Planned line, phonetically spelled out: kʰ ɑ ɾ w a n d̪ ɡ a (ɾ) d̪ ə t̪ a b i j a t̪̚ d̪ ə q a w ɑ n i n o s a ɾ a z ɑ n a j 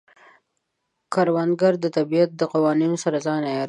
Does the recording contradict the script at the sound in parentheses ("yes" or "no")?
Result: no